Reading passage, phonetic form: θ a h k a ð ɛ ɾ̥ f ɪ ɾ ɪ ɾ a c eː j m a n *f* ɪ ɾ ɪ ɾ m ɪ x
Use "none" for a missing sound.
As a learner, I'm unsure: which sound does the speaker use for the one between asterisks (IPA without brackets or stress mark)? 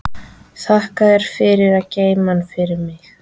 f